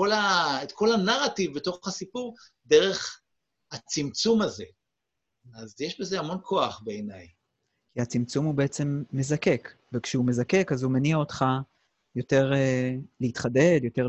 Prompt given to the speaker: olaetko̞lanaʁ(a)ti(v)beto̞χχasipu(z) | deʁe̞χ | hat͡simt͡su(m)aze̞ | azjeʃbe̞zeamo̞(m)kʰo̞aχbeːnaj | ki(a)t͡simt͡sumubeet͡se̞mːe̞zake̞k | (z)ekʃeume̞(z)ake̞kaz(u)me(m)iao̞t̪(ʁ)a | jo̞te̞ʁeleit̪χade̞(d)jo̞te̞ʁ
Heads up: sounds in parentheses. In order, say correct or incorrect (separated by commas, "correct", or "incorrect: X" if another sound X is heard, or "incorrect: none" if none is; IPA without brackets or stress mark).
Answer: correct, correct, incorrect: ʁ, correct, incorrect: n, correct, incorrect: v, correct, correct, incorrect: n, incorrect: χ, correct